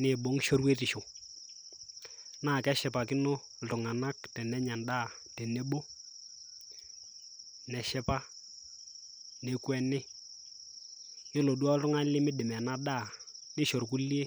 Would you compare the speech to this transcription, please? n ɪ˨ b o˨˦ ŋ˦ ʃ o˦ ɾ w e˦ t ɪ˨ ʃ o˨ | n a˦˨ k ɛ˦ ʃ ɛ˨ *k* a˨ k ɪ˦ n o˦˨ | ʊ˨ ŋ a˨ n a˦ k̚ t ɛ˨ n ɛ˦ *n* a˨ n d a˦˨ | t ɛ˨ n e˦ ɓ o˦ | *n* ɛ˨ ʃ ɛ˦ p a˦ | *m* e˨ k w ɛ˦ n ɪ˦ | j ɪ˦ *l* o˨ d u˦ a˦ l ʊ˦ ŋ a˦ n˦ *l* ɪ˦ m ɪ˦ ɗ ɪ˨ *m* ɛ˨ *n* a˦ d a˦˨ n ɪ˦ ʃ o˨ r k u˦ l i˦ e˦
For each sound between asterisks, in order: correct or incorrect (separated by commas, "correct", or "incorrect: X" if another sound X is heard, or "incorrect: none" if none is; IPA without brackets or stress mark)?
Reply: incorrect: p, incorrect: ɲ, correct, incorrect: n, correct, correct, correct, correct